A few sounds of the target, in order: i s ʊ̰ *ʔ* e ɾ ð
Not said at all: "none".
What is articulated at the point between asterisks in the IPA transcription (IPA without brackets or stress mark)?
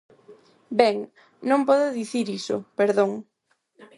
p